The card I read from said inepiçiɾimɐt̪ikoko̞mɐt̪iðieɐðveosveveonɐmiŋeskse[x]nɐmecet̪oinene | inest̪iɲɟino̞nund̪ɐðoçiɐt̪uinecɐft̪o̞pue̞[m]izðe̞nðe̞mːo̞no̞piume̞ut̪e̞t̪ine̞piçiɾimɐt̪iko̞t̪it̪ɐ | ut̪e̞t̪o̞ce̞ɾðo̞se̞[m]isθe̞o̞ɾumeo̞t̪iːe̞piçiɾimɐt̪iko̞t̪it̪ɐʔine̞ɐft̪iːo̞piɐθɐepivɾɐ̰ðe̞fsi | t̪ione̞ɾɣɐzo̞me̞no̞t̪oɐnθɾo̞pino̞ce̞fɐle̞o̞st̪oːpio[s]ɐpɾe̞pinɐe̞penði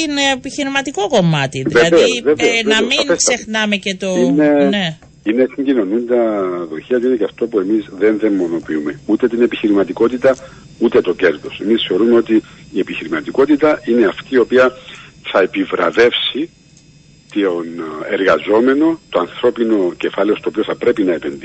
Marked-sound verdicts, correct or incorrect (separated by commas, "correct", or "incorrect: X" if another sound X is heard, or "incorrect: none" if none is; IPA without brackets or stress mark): correct, correct, correct, incorrect: θ